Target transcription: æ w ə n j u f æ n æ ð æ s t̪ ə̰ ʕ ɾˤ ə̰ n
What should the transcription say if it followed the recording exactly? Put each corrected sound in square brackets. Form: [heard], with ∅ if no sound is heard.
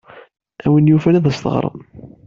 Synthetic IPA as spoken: æ w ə n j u f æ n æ ð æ s t̪ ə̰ [ʁ] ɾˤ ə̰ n